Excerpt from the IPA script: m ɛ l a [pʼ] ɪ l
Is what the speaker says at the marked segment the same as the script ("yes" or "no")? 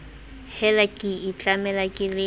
no